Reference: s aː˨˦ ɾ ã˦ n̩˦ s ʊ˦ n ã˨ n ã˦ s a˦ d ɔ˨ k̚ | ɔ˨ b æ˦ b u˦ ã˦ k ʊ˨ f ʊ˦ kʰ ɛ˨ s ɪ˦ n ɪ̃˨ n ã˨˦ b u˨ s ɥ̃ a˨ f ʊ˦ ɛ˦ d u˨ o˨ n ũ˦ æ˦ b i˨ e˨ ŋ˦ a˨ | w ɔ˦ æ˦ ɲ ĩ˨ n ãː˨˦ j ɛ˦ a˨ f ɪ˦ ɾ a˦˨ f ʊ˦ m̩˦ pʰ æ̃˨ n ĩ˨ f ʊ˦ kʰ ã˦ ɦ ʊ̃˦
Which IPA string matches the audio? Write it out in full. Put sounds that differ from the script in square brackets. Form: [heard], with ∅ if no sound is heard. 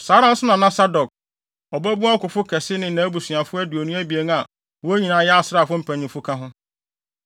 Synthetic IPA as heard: s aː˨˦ ɾ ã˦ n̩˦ s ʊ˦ n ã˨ n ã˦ s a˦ d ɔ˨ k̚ | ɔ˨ b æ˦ b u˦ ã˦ k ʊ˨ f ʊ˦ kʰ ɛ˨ s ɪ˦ n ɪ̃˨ n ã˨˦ b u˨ s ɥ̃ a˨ f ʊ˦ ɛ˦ d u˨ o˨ n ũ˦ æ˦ b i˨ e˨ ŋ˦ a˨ | w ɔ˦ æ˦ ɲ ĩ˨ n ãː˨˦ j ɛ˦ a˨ [s] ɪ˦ ɾ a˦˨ f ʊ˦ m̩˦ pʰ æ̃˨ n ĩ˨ f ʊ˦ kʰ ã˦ ɦ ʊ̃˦